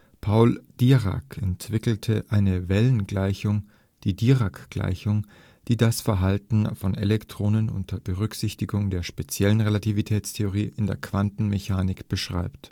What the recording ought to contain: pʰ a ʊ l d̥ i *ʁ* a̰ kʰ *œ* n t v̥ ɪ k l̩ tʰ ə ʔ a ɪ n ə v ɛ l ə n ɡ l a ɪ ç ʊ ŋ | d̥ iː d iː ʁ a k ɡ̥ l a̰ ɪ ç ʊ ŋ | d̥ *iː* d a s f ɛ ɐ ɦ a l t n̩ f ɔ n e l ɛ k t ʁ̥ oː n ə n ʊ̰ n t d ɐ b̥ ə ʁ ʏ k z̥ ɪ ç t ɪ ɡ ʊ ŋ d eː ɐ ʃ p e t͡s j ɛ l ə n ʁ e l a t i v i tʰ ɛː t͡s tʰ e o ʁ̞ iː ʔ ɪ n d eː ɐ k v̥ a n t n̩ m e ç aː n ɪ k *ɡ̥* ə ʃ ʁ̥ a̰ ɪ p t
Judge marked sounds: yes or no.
yes, no, yes, no

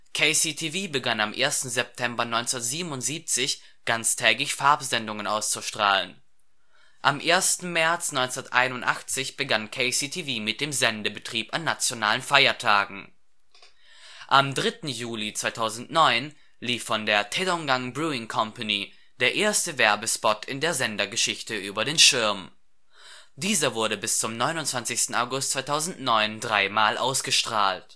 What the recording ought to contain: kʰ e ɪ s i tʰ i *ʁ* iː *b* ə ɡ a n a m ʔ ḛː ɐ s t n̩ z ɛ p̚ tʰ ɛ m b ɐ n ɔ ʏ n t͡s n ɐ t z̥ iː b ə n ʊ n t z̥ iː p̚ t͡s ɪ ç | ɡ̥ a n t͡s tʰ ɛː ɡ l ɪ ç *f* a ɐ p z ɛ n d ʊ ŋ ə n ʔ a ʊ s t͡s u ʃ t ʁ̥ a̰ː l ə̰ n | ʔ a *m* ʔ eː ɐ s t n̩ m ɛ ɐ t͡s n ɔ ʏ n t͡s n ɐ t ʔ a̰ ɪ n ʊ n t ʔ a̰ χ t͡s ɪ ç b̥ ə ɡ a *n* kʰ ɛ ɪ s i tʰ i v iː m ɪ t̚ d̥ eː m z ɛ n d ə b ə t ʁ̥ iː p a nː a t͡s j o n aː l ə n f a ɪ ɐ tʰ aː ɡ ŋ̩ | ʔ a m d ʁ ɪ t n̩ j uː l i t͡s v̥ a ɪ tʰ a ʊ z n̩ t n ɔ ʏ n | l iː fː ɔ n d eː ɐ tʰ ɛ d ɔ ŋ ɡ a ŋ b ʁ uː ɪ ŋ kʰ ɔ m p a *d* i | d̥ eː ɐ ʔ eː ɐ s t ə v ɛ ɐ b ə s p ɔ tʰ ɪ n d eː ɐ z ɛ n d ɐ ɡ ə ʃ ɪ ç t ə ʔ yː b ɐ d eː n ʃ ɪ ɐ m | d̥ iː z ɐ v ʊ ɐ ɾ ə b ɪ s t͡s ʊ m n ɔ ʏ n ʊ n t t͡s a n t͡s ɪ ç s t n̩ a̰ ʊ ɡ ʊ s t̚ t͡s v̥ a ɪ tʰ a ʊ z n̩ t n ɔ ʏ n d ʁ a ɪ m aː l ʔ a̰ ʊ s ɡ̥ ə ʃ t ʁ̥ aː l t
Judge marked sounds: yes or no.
no, yes, yes, yes, yes, no

